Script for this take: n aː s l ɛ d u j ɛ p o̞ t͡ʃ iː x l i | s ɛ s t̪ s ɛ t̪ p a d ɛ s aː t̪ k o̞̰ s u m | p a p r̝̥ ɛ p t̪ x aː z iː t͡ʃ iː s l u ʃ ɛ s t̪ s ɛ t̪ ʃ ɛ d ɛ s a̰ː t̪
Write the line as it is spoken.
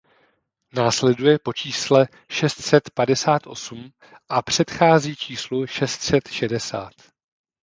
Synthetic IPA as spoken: n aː s l ɛ d u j ɛ p o̞ t͡ʃ iː s l ɛ | ʃ ɛ s t̪ s ɛ t̪ p a d ɛ s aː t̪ ʔ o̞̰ s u m | ʔ a p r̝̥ ɛ t̪ x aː z iː t͡ʃ iː s l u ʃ ɛ s t̪ s ɛ t̪ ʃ ɛ d ɛ s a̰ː t̪